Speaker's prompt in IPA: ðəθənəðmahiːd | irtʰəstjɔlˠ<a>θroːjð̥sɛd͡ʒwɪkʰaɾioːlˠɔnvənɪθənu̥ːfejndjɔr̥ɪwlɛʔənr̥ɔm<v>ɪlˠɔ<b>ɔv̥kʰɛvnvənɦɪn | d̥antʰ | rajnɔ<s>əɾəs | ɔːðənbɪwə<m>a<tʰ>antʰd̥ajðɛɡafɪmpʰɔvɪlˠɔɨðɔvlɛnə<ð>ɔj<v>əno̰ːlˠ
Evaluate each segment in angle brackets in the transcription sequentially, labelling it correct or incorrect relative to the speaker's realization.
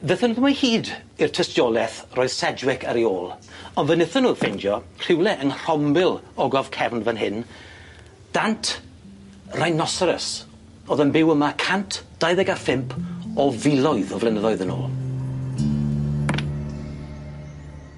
incorrect: ɛ, incorrect: b, incorrect: ɡ, correct, correct, incorrect: kʰ, correct, incorrect: ð

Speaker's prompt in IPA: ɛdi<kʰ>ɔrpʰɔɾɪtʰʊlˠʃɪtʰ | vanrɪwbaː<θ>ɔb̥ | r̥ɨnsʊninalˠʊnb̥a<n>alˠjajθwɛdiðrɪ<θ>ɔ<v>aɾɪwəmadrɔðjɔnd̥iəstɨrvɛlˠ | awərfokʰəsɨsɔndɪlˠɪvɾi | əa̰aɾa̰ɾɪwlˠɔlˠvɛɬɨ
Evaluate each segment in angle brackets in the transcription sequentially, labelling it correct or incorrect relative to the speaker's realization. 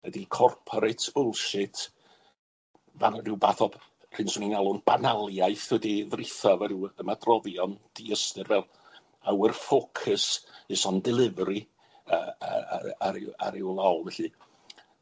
correct, correct, correct, correct, correct

